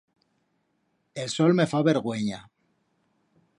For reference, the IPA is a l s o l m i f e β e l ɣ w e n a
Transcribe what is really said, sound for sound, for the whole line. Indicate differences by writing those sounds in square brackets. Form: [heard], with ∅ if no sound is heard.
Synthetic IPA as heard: [e] l s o l m [e] f [a] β e [ɾ] ɣ w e [ɲ] a

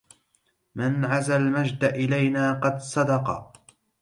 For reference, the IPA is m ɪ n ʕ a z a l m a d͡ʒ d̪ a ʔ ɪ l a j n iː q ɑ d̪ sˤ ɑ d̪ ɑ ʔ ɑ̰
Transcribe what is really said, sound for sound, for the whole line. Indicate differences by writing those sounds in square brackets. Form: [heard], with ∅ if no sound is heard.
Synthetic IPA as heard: m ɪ n ʕ a z a l m a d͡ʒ d̪ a ʔ ɪ l a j n [aː] q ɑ d̪ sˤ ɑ d̪ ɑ [q] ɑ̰

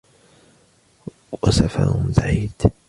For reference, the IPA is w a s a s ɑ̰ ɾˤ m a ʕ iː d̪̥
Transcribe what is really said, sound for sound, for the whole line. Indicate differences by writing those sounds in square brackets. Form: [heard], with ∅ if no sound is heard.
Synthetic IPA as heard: w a s a [f] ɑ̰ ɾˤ [b] a ʕ iː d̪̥

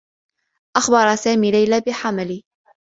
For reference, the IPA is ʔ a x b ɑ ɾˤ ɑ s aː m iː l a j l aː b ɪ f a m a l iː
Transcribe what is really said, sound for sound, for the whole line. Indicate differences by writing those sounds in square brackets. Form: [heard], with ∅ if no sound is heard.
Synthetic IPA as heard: ʔ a x b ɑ ɾˤ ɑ s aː m iː l a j l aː b ɪ [ħ] a m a l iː

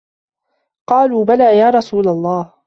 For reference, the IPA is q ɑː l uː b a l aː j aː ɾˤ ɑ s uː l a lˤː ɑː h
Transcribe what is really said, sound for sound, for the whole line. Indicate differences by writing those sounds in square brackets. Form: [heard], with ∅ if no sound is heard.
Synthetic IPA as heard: q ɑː l uː b a l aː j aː ɾˤ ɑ s uː l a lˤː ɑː h

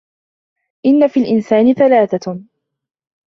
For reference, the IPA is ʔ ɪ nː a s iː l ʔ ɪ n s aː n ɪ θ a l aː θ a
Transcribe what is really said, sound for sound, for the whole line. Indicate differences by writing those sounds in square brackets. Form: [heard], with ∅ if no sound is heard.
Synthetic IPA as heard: ʔ ɪ nː a [f] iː l ʔ ɪ n s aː n ɪ θ a l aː θ a

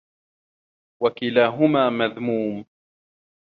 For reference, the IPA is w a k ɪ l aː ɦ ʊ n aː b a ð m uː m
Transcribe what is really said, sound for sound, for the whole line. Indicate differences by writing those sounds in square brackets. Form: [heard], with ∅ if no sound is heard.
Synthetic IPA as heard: w a k ɪ l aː ɦ ʊ [m] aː [m] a ð m uː m

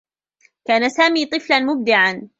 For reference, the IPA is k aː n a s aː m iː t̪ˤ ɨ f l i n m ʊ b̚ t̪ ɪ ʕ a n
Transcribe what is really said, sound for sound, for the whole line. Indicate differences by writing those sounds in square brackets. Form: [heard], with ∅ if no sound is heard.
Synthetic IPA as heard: k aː n a s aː m iː t̪ˤ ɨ f l [a] n m ʊ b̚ [d̪] ɪ ʕ a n

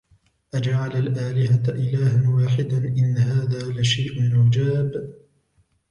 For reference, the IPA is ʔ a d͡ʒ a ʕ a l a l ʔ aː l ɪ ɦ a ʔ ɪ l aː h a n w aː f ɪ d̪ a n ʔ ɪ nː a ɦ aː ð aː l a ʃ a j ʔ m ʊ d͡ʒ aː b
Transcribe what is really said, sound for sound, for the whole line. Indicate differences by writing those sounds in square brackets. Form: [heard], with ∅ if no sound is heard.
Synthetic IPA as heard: ʔ a d͡ʒ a ʕ a l a l ʔ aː l ɪ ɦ a ʔ ɪ l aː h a n w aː [ħ] ɪ d̪ a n ʔ ɪ nː a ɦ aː ð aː l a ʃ a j ʔ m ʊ d͡ʒ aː b

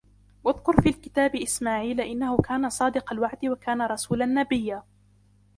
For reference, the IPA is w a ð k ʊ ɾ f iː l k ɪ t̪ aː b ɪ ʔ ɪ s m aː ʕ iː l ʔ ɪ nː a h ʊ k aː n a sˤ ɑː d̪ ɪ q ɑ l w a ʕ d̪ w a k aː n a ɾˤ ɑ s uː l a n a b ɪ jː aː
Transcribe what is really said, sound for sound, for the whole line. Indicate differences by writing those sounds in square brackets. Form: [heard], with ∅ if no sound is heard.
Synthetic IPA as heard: w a ð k ʊ ɾ f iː l k ɪ t̪ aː b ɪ ʔ ɪ s m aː ʕ iː l ʔ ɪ nː a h ʊ k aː n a sˤ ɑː d̪ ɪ q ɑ l w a ʕ d̪ w a k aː n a ɾˤ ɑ s uː l a [nː] a b ɪ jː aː

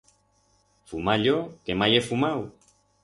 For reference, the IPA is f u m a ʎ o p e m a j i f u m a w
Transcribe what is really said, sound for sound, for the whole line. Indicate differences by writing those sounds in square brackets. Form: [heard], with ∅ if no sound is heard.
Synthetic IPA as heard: f u m a ʎ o [k] e m a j [e] f u m a w

